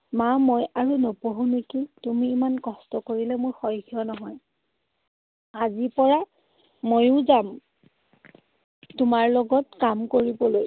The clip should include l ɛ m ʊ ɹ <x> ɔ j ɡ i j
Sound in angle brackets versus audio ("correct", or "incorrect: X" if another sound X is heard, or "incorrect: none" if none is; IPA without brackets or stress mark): correct